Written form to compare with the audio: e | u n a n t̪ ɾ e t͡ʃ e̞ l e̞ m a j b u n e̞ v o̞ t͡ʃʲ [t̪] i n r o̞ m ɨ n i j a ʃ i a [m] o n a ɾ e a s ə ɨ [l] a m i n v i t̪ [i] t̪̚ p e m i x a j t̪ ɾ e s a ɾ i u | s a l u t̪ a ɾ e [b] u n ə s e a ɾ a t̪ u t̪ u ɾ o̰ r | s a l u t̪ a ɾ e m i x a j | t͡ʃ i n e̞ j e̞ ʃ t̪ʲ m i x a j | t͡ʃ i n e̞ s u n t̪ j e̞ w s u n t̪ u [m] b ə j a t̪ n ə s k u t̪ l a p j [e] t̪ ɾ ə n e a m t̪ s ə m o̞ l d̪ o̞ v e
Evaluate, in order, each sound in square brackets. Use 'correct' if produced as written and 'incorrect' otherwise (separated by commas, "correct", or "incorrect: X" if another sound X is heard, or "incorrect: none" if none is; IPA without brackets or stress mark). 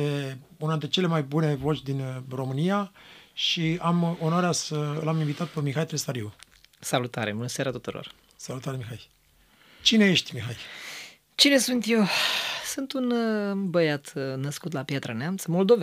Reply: incorrect: d̪, correct, correct, incorrect: a, correct, incorrect: n, incorrect: a